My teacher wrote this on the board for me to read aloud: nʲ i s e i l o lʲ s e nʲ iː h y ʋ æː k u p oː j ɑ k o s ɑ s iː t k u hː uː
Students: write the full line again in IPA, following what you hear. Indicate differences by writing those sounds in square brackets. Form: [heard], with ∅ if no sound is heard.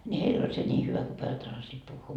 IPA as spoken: nʲ i [h] e i l o lʲ s e nʲ iː h y ʋ [æ] k u p [o] j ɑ [t] o s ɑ s iː t [p] u hː uː